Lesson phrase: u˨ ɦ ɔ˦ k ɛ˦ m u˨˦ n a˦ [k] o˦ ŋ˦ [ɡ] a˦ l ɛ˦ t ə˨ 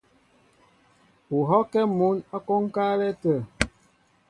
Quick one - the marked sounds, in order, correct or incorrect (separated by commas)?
correct, incorrect